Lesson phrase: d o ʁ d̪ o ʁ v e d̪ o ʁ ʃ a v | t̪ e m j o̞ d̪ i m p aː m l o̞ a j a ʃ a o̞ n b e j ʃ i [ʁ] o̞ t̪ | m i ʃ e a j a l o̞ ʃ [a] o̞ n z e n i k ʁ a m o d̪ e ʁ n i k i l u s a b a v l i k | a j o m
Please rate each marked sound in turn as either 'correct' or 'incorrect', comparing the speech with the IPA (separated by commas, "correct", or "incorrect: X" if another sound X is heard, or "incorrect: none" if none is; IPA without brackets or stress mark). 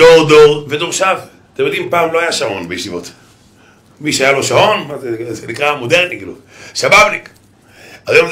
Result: incorrect: v, correct